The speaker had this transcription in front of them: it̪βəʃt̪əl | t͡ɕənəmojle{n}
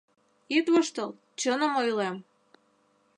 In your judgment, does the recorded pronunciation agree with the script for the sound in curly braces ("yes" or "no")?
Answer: no